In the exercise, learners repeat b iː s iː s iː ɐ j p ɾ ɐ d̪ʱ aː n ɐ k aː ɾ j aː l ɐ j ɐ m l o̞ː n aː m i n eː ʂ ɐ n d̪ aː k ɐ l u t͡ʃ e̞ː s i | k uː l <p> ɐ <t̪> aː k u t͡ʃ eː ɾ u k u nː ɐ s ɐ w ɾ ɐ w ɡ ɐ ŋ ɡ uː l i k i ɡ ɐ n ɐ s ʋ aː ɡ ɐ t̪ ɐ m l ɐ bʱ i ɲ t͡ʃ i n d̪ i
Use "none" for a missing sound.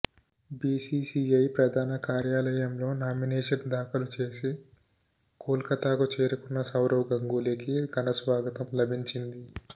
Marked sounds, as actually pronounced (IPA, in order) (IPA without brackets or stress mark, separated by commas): k, t̪